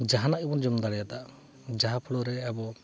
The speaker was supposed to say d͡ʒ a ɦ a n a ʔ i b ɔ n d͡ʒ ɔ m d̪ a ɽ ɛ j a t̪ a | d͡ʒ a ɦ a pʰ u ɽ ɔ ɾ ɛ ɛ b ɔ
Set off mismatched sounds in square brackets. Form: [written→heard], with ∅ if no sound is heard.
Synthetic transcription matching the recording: d͡ʒ a ɦ a n a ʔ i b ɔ n d͡ʒ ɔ m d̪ a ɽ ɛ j a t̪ a | d͡ʒ a ɦ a pʰ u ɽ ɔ ɾ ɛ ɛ b ɔ